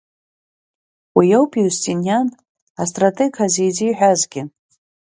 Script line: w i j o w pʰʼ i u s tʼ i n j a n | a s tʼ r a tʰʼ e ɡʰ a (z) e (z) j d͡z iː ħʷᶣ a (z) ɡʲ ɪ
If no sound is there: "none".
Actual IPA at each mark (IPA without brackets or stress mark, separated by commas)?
z, none, z